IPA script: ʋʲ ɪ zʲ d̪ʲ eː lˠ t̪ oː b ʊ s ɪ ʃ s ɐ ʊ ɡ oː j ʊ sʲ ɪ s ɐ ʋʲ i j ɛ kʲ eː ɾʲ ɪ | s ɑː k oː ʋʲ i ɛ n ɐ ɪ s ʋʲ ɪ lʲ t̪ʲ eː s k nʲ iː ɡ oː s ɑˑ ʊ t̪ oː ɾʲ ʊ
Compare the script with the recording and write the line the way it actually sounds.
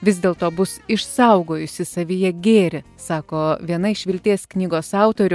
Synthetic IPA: ʋʲ ɪ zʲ d̪ʲ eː lˠ t̪ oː b ʊ s ɪ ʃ s ɐ ʊ ɡ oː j ʊ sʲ ɪ s ɐ ʋʲ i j ɛ ɡʲ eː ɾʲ ɪ | s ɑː k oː ʋʲ i ɛ n ɐ ɪ ʃ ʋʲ ɪ lʲ t̪ʲ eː s k nʲ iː ɡ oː s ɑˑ ʊ t̪ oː ɾʲ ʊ

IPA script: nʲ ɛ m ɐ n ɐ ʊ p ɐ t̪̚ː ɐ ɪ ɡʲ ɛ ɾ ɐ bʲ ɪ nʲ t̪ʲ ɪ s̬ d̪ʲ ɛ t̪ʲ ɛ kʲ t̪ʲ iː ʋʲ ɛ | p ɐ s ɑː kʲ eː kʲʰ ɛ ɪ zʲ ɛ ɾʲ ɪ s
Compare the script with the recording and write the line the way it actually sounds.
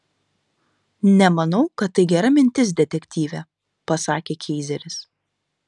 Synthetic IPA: nʲ ɛ m ɐ n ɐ ʊ k ɐ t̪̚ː ɐ ɪ ɡʲ ɛ ɾ ɐ mʲ ɪ nʲ t̪ʲ ɪ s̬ d̪ʲ ɛ t̪ʲ ɛ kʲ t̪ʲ iː ʋʲ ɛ | p ɐ s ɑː kʲ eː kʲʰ ɛ ɪ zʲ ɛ ɾʲ ɪ s

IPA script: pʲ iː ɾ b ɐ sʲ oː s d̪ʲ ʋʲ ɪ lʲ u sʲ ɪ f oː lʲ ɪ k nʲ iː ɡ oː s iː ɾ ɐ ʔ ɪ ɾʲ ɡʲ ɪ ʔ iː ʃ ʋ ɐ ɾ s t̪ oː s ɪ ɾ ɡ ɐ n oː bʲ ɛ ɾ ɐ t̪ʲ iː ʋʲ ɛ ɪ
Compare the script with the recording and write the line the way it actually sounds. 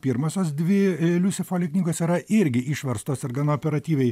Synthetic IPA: pʲ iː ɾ m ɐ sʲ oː s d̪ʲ ʋʲ ɪ lʲ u sʲ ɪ f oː lʲ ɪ k nʲ iː ɡ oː s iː ɾ ɐ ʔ ɪ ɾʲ ɡʲ ɪ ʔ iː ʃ ʋ ɐ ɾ s t̪ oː s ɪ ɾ ɡ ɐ n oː pʲ ɛ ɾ ɐ t̪ʲ iː ʋʲ ɛ ɪ

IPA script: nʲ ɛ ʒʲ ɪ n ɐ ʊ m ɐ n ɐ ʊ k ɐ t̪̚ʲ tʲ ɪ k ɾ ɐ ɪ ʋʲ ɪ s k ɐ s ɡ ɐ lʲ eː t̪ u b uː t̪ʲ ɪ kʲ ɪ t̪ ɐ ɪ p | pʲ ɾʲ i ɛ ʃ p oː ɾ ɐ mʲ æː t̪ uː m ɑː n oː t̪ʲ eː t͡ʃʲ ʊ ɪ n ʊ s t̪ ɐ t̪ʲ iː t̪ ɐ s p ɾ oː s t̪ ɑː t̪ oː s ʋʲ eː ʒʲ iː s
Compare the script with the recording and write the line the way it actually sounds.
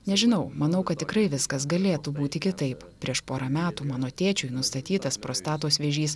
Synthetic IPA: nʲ ɛ ʒʲ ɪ n ɐ ʊ m ɐ n ɐ ʊ k ɐ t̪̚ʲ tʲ ɪ k ɾ ɐ ɪ ʋʲ ɪ s k ɐ s ɡ ɐ lʲ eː t̪ u b uː t̪ʲ ɪ kʲ ɪ t̪ ɐ ɪ p | pʲ ɾʲ i ɛ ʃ p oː ɾ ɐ mʲ æː t̪ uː m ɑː n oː t̪ʲ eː t͡ʃʲ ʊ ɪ n ʊ s t̪ ɐ t̪ʲ iː t̪ ɐ s p ɾ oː s t̪ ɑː t̪ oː s ʋʲ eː ʒʲ iː s

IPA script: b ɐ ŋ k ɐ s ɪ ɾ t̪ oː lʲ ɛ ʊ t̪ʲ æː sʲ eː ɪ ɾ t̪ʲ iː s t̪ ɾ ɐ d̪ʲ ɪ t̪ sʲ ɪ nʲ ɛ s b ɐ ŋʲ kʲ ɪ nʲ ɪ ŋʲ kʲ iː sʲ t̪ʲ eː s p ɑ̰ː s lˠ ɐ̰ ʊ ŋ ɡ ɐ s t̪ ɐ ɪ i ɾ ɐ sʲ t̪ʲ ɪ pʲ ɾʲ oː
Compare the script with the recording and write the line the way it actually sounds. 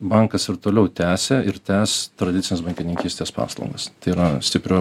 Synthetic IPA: b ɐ ŋ k ɐ s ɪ ɾ t̪ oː lʲ ɛ ʊ t̪ʲ æː sʲ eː ɪ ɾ t̪ʲ æː s t̪ ɾ ɐ d̪ʲ ɪ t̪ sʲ ɪ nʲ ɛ s b ɐ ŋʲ kʲ ɪ nʲ ɪ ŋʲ kʲ iː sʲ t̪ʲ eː s p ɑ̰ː s lˠ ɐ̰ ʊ ŋ ɡ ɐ s t̪ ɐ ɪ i ɾ ɐ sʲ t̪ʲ ɪ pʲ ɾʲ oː

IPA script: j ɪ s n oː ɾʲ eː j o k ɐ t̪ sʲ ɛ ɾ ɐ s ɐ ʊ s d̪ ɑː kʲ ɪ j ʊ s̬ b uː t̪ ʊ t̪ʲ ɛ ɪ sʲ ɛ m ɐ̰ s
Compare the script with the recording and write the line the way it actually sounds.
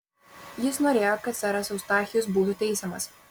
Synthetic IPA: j ɪ s n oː ɾʲ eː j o k ɐ t̪ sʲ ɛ ɾ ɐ s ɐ ʊ s t̪ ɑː xʲ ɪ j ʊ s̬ b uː t̪ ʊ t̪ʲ ɛ ɪ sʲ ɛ m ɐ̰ s

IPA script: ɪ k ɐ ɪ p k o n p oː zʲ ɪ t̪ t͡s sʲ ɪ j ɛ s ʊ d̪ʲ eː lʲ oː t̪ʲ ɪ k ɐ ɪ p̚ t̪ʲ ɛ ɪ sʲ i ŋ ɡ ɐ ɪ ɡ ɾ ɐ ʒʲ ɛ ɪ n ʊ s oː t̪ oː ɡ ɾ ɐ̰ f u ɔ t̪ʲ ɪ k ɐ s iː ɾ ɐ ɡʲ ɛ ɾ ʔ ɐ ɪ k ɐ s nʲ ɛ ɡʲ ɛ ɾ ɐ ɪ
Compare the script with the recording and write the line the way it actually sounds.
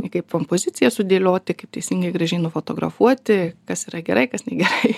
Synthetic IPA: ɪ k ɐ ɪ p k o m p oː zʲ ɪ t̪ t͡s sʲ ɪ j ɛ s ʊ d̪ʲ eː lʲ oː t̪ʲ ɪ k ɐ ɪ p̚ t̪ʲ ɛ ɪ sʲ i ŋ ɡ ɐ ɪ ɡ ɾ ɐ ʒʲ ɛ ɪ n ʊ f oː t̪ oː ɡ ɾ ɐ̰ f u ɔ t̪ʲ ɪ k ɐ s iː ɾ ɐ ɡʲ ɛ ɾ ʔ ɐ ɪ k ɐ s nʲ ɛ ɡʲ ɛ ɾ ɐ ɪ

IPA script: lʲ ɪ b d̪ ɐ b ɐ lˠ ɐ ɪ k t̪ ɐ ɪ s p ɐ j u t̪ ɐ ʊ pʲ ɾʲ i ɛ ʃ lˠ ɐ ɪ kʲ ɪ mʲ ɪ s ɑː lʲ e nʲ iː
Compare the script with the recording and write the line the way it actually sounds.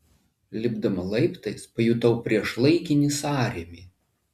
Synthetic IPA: lʲ ɪ b d̪ ɐ m ɐ lˠ ɐ ɪ p t̪ ɐ ɪ s p ɐ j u t̪ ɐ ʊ pʲ ɾʲ i ɛ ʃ lˠ ɐ ɪ kʲ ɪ nʲ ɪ s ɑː ɾʲ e mʲ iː

